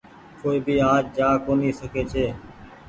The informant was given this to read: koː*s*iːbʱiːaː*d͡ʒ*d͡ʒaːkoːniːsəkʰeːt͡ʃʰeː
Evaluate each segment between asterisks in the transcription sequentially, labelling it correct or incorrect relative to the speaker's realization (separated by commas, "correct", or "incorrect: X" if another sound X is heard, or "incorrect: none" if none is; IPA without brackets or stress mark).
incorrect: none, correct